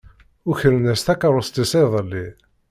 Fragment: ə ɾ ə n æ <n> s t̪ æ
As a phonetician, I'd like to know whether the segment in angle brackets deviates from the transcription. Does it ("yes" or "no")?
yes